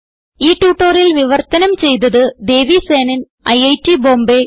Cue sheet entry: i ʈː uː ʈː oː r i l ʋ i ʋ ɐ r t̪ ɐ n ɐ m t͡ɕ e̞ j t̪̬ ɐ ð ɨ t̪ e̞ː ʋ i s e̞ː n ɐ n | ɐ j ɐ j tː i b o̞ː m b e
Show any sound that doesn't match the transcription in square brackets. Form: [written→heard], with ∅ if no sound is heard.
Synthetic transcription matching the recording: [i→iː] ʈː uː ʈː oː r i l ʋ i ʋ ɐ r t̪ ɐ n ɐ m t͡ɕ e̞ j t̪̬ ɐ ð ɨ [t̪→d̪] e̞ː ʋ i s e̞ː n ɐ n | ɐ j ɐ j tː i b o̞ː m b e